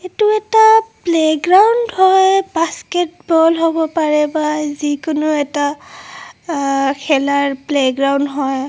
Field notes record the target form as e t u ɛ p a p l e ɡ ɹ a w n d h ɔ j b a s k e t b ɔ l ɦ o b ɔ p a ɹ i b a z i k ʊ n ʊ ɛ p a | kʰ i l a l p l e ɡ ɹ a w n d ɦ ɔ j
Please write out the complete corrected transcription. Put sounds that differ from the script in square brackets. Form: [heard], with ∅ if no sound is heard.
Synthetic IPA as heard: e t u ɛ [t] a p l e ɡ ɹ a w n d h ɔ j b a s k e t b ɔ l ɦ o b ɔ p a ɹ [ɛ] b a z i k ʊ n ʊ ɛ [t] a | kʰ [ɛ] l a [ɹ] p l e ɡ ɹ a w n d ɦ ɔ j